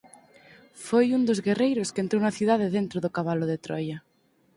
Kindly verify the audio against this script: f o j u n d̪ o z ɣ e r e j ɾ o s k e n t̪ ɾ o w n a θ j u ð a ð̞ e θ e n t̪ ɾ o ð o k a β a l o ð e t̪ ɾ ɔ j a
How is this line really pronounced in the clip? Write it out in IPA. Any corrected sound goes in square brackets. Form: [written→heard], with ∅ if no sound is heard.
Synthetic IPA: f o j u n d̪ o z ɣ e r e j ɾ o s k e n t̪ ɾ o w n a θ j u ð a ð̞ e [θ→ð] e n t̪ ɾ o ð o k a β a l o ð e t̪ ɾ ɔ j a